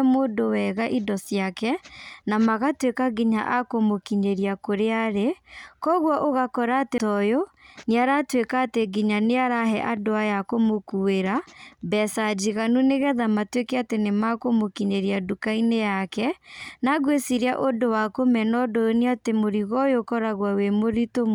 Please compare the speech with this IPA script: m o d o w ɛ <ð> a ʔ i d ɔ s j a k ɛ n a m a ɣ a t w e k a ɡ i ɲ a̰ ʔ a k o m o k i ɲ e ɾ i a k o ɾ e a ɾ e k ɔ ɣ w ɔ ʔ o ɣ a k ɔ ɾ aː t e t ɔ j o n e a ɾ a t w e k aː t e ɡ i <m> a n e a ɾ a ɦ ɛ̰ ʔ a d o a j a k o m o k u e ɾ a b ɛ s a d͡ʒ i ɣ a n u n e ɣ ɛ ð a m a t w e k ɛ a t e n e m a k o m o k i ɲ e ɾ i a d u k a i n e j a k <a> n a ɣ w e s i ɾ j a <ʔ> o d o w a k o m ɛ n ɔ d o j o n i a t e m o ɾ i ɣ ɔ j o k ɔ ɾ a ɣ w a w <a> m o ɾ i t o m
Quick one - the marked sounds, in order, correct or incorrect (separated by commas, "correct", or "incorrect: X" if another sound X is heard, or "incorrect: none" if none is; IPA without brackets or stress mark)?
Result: incorrect: ɣ, incorrect: ɲ, incorrect: ɛ, correct, incorrect: e